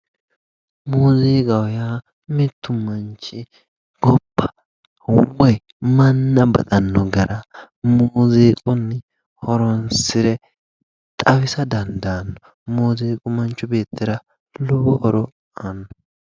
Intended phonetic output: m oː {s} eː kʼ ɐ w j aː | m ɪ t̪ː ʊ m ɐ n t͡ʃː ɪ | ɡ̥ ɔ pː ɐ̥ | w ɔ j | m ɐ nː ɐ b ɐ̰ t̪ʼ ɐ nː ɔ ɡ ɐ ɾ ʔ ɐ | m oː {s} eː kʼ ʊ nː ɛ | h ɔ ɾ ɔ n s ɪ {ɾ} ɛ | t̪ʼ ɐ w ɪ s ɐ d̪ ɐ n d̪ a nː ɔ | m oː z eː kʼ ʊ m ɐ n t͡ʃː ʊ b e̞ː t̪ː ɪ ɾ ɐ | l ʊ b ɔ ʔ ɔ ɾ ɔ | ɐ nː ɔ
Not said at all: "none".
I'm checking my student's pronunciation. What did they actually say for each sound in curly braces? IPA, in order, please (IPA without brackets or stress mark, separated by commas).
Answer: z, z, ɾ